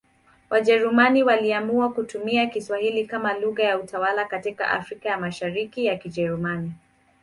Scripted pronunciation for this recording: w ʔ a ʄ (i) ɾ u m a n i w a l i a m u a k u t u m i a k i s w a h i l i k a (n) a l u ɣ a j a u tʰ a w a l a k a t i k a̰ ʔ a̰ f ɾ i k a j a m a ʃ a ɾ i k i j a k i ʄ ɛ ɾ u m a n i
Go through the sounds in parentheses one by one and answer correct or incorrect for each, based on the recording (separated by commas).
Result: incorrect, incorrect